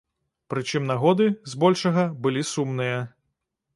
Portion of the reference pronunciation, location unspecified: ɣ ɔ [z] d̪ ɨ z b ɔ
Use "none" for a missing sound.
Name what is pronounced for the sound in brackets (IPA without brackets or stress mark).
none